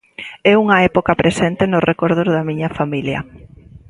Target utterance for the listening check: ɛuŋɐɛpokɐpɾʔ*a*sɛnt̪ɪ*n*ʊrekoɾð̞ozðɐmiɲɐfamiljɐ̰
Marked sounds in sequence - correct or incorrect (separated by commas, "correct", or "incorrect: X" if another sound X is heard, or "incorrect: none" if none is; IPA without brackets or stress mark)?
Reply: incorrect: e, correct